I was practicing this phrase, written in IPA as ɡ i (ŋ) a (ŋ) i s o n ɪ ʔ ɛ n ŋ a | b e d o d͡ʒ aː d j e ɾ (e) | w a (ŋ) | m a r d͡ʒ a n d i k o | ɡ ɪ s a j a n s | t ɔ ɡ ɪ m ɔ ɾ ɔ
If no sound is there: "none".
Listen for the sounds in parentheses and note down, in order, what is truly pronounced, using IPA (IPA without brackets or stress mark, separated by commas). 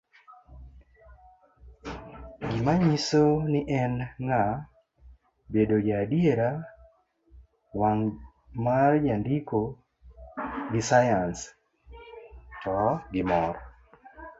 m, ɲ, a, ŋ